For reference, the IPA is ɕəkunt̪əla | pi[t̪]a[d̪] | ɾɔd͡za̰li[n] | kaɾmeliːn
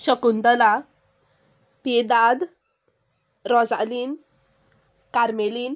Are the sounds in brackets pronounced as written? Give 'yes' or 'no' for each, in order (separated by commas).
no, yes, yes